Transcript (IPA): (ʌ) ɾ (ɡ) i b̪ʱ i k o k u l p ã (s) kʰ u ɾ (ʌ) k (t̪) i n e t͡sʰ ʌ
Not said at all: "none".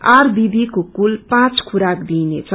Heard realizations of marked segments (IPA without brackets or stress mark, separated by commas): a, b, t͡s, a, d̪